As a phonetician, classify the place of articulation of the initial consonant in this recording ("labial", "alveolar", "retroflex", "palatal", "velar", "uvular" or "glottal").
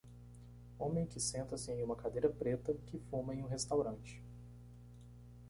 labial